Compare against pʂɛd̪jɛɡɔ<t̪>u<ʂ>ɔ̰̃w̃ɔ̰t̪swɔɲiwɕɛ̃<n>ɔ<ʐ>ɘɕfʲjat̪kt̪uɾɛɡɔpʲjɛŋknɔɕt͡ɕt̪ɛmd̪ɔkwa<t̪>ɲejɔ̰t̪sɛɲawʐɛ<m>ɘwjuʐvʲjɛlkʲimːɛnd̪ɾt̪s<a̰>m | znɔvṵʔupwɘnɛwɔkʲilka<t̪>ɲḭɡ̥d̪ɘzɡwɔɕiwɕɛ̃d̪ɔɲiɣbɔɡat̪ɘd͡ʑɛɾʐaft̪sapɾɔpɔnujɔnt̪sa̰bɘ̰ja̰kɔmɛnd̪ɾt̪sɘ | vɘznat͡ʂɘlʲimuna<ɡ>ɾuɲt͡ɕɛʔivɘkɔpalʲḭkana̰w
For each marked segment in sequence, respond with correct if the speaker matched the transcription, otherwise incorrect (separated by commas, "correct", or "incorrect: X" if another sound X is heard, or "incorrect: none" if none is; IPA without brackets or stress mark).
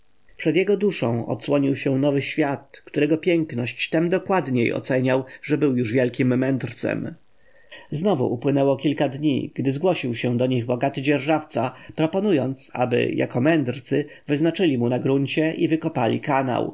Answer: incorrect: d̪, correct, correct, incorrect: v, incorrect: d̪, incorrect: b, incorrect: ɛ̰, incorrect: d̪, correct